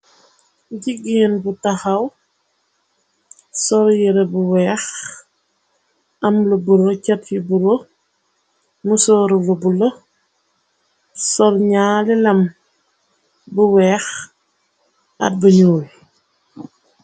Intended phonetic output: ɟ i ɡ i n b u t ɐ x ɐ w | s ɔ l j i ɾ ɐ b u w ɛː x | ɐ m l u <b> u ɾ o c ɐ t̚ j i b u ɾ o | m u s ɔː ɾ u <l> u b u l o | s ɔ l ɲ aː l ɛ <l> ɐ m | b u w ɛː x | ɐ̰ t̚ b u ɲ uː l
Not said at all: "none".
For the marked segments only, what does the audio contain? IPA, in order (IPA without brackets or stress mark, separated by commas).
b, l, l